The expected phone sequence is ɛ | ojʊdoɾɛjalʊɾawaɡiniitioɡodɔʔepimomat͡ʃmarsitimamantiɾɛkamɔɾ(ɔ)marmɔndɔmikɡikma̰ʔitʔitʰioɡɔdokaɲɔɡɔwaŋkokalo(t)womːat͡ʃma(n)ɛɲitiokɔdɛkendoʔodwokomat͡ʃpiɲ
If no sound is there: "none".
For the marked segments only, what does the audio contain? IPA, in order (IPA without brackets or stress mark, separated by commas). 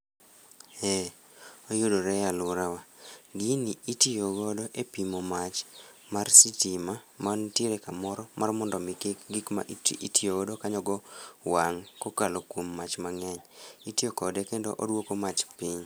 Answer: ɔ, k, ŋ